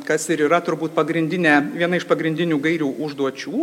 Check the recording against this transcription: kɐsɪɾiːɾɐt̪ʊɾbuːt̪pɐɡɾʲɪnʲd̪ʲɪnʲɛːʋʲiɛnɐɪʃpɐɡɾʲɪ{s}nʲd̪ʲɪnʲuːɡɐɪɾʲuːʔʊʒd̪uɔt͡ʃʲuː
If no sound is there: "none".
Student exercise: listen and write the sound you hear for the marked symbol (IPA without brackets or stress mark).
none